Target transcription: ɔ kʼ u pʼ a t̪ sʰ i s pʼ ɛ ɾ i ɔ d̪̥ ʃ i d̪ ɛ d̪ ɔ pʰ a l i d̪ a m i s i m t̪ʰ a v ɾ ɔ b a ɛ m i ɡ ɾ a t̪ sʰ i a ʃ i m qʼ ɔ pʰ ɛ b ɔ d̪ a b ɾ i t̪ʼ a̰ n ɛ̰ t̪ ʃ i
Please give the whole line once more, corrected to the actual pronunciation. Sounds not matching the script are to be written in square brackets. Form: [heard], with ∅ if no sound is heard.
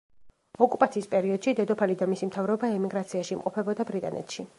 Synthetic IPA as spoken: ɔ kʼ u pʼ a t̪ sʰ [iː] s pʼ ɛ ɾ i ɔ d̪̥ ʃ i d̪ ɛ d̪ ɔ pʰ a l i d̪ a m i s i m t̪ʰ a v ɾ ɔ b a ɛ m i ɡ ɾ a t̪ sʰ i a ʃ i m qʼ ɔ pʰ ɛ b ɔ d̪ a b ɾ i t̪ʼ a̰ n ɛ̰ t̪ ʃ i